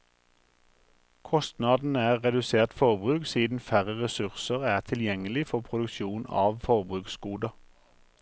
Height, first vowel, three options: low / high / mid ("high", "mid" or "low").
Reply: mid